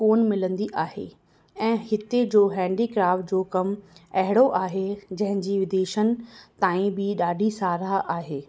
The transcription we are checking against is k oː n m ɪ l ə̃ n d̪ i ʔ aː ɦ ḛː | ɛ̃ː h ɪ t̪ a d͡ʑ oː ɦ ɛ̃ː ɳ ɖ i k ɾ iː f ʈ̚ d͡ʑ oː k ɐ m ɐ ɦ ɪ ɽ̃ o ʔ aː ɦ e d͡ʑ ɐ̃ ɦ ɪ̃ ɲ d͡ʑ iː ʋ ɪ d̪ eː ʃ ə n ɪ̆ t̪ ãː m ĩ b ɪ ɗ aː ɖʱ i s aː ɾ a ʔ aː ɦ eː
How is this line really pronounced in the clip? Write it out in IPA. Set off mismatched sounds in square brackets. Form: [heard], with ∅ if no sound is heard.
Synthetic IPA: k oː n m ɪ l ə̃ n d̪ i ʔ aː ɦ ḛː | ɛ̃ː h ɪ t̪ [e] d͡ʑ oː ɦ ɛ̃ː ɳ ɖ i k ɾ [aː] f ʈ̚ d͡ʑ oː k ɐ m ɐ ɦ ɪ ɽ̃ o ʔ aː ɦ e d͡ʑ ɐ̃ ɦ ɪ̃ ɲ d͡ʑ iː ʋ ɪ d̪ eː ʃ ə n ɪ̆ t̪ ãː [∅] ĩ b ɪ ɗ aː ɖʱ i s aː ɾ a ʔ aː ɦ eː